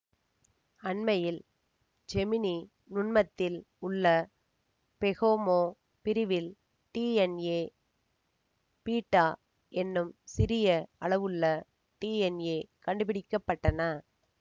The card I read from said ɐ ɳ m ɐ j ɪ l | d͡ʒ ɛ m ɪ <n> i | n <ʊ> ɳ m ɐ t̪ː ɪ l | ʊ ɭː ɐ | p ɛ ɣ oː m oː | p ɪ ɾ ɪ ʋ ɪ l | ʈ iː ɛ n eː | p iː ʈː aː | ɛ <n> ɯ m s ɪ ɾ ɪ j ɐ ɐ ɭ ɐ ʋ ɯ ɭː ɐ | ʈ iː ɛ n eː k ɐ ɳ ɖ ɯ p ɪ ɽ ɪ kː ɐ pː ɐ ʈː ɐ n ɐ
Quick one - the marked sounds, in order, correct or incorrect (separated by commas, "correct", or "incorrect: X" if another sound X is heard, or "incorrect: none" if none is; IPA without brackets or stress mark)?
correct, correct, incorrect: nː